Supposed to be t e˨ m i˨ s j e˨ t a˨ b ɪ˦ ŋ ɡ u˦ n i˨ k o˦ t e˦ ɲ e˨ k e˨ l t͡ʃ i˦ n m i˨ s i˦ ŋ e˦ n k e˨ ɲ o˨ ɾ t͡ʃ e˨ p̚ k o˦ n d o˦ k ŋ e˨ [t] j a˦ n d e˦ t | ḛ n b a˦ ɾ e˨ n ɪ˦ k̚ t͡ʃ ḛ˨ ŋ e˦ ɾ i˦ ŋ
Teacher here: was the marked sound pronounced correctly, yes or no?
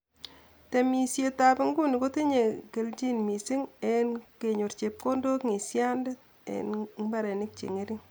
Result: no